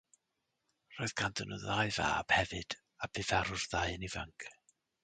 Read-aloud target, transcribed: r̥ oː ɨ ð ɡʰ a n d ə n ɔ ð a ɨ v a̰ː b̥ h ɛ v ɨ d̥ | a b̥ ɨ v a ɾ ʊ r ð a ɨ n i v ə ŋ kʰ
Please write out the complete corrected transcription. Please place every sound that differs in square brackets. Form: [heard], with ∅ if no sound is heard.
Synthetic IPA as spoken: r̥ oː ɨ ð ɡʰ a n d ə n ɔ ð a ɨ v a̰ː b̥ h ɛ v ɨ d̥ | a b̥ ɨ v a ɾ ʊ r ð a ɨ n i v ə ŋ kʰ

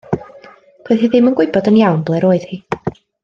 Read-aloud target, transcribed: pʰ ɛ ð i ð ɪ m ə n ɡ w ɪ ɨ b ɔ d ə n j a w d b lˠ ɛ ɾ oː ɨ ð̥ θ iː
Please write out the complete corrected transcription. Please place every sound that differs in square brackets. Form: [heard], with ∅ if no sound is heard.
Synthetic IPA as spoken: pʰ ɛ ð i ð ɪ m ə n ɡ w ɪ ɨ b ɔ d ə n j a w [n] b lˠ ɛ ɾ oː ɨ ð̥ [h] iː

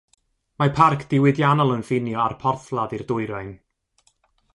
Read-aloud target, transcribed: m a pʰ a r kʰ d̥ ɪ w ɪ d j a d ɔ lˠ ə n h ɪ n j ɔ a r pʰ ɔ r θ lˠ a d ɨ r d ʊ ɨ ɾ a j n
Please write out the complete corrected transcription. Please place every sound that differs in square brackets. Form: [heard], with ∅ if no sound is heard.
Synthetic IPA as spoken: m a pʰ a r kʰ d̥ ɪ w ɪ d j a [n] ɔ lˠ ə n [f] ɪ n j ɔ a r pʰ ɔ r θ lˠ a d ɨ r d ʊ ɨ ɾ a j n

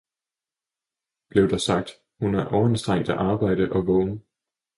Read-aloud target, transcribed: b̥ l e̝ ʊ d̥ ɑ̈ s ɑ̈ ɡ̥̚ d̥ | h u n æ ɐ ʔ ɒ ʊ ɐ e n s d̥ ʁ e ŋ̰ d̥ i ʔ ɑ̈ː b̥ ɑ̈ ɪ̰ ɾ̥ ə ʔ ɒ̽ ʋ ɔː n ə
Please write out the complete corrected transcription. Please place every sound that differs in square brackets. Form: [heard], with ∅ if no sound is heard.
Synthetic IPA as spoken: b̥ l e̝ ʊ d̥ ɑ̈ s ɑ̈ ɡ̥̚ d̥ | h u n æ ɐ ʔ ɒ ʊ ɐ e n s d̥ ʁ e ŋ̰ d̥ [æ] ʔ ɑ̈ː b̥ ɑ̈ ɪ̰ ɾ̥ ə ʔ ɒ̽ ʋ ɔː n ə

